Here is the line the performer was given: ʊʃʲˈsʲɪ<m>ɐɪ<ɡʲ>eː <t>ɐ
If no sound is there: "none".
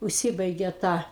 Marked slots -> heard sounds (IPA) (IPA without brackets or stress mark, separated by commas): b, ɡʲ, t